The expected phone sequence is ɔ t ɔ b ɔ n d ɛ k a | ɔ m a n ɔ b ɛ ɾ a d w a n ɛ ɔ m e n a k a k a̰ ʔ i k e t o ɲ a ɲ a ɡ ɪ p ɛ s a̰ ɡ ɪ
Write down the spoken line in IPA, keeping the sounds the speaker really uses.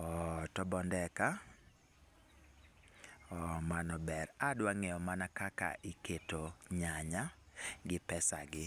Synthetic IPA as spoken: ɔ t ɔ b ɔ n d ɛ k a | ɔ m a n ɔ b ɛ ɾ a d w a ŋ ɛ ɔ m a n a k a k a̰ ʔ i k e t o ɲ a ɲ a ɡ ɪ p ɛ s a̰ ɡ ɪ

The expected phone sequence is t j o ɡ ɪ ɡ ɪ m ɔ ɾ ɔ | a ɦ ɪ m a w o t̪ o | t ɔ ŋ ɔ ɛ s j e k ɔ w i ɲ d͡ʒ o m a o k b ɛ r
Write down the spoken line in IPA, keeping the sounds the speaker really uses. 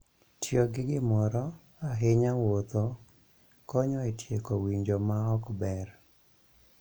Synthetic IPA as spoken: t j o ɡ ɪ ɡ ɪ m ɔ ɾ ɔ | a ɦ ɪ ɲ a w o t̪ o | k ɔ ɲ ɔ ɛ t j e k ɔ w i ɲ d͡ʒ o m a ɔ k b ɛ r

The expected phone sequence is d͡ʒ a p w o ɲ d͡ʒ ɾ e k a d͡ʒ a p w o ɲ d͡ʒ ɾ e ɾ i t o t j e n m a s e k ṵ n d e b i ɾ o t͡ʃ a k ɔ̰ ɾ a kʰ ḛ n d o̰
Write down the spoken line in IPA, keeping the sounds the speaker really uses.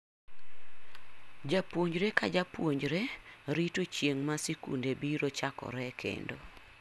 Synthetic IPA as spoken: d͡ʒ a p w o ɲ d͡ʒ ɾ e k a d͡ʒ a p w o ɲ d͡ʒ ɾ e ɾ i t o t͡ʃ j e ŋ m a s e k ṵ n d e b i ɾ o t͡ʃ a k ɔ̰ ɾ ɛ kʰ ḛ n d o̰

